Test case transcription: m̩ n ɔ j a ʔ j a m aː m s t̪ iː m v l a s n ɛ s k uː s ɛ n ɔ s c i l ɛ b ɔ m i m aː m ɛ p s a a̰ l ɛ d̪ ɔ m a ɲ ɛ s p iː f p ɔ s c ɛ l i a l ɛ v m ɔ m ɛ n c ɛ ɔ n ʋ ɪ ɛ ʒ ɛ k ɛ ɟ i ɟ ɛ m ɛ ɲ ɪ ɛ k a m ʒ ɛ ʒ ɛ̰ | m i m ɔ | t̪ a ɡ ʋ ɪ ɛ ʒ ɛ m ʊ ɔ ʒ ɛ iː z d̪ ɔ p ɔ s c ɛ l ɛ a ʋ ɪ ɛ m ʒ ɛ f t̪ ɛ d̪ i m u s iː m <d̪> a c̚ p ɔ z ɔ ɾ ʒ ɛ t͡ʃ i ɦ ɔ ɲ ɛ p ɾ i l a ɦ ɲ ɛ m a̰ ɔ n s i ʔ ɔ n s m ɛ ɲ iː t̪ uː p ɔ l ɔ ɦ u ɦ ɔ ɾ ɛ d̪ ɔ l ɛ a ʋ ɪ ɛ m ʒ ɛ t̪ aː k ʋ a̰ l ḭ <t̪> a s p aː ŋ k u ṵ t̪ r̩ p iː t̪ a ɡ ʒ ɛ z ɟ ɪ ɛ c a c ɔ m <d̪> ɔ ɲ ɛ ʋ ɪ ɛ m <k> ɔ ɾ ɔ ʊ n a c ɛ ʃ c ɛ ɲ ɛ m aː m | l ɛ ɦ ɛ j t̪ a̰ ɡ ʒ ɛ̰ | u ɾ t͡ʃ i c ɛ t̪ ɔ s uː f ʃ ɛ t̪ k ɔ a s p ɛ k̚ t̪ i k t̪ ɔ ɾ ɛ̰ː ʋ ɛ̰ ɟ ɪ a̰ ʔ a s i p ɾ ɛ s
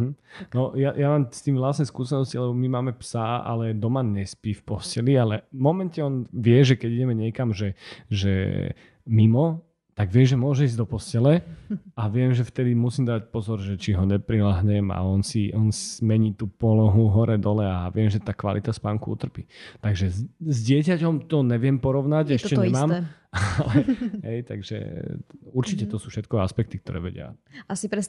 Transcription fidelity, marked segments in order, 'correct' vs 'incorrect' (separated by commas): correct, correct, incorrect, incorrect